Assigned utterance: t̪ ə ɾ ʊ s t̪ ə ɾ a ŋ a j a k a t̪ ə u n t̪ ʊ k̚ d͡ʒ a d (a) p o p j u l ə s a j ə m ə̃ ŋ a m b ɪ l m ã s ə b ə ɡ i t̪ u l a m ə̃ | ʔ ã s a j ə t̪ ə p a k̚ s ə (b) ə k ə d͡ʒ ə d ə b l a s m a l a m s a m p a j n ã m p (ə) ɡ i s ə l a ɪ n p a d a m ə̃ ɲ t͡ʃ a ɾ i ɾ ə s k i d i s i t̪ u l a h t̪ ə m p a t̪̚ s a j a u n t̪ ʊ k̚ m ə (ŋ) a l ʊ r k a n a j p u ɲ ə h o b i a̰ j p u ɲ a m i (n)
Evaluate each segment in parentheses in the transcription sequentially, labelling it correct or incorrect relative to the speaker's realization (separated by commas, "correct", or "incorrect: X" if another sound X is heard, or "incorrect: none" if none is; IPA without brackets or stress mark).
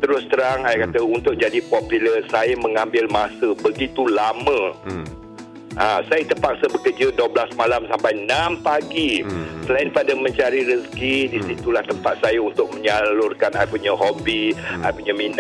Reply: incorrect: i, correct, incorrect: a, incorrect: ɲ, correct